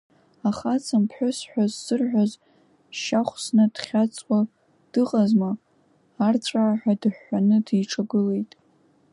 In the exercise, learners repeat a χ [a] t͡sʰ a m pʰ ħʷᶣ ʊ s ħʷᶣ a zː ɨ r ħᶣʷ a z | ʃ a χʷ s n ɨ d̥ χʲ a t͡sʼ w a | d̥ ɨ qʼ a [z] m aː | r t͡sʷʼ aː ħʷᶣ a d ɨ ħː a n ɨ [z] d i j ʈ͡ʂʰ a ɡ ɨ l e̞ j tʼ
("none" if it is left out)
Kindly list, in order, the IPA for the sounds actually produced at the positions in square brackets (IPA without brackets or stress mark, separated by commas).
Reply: a, z, none